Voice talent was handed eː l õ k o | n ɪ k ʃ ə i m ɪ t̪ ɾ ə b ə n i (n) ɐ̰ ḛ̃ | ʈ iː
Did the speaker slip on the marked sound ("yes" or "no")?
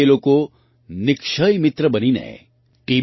no